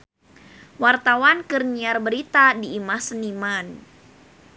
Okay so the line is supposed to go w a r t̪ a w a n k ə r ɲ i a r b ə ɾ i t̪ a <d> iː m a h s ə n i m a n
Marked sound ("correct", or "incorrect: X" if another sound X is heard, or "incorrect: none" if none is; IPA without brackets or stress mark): correct